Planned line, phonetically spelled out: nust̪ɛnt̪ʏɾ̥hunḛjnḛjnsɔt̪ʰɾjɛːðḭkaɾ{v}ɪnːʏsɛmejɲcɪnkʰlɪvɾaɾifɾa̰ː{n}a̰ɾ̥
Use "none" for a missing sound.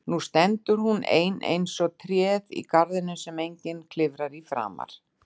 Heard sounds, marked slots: ð, m

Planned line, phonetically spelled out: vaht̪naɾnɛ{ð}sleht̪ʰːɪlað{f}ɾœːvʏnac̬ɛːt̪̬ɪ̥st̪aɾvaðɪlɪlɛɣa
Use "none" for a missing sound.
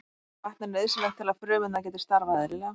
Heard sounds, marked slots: ð, f

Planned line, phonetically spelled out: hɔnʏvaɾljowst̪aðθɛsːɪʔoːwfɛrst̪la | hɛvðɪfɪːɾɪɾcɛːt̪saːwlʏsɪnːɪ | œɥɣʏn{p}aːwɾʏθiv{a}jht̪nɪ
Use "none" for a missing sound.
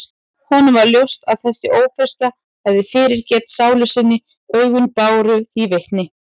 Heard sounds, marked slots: p, e

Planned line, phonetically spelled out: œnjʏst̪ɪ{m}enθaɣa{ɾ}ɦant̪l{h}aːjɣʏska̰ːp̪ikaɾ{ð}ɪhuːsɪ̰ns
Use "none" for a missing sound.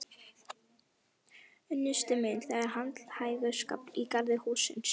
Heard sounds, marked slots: m, ɾ, h, ð

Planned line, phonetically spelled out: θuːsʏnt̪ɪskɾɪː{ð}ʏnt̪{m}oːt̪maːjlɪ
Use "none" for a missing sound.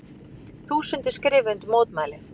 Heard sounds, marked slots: v, m

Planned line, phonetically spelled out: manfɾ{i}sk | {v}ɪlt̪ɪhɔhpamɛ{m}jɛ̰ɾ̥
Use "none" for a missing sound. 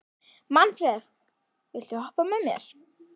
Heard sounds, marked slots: ɛ, v, m

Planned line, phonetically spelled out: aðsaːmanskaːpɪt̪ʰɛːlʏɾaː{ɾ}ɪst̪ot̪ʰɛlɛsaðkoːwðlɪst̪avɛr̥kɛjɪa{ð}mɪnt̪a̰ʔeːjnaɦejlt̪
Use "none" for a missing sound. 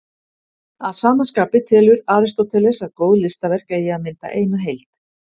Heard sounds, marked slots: ɾ, ð

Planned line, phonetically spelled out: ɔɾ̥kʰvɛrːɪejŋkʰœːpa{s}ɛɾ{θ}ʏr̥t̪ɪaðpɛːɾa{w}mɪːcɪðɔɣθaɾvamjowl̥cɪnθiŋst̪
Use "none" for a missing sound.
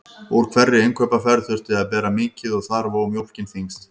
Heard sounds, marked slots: f, θ, none

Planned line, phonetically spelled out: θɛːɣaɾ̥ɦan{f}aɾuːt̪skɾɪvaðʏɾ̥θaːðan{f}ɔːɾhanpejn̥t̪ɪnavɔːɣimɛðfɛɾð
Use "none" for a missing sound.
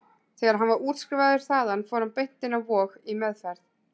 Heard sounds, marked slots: v, f

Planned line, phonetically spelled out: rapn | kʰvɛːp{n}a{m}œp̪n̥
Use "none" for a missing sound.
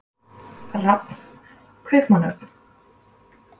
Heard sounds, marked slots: m, n

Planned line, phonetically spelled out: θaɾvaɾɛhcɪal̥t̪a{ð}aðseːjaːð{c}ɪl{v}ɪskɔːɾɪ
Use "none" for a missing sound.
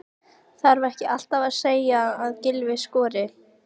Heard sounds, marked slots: v, c, v

